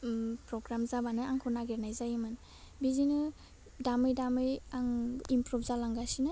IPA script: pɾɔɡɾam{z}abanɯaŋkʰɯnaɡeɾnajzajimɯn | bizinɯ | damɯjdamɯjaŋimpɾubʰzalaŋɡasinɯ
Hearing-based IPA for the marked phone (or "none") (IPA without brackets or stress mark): z